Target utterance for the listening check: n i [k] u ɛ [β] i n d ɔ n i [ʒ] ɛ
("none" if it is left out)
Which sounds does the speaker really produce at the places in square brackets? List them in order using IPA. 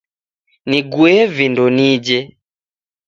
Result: ɡ, v, d͡ʒ

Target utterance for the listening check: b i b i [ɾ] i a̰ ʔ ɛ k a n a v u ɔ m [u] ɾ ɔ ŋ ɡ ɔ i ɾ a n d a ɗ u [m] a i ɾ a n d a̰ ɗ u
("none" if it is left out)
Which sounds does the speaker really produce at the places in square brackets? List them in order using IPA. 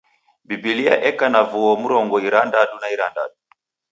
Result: l, u, n

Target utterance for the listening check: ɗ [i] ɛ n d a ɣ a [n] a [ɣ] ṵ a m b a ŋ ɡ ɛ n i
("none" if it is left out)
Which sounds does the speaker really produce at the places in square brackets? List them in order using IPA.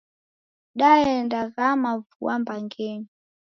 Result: a, m, v

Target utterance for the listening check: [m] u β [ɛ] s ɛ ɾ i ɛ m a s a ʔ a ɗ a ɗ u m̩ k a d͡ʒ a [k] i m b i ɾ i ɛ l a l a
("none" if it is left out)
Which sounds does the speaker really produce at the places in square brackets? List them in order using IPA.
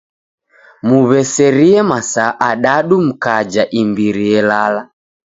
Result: m, ɛ, ʔ

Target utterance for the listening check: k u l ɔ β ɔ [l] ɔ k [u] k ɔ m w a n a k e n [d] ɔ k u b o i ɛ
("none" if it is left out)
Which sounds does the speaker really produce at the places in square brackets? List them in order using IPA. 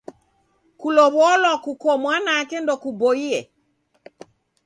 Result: l, u, d

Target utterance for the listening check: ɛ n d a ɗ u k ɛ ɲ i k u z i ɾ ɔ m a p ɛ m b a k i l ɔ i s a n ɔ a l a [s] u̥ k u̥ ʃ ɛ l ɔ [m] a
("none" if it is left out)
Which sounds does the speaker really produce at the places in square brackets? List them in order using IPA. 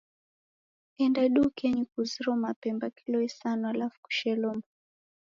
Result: f, m

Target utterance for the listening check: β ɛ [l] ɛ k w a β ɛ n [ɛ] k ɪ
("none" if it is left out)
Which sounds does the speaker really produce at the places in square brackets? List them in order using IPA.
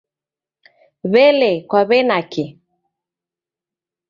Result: l, a

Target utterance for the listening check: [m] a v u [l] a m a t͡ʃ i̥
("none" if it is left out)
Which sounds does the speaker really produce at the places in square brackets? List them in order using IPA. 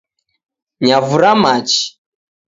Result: ɲ, ɾ

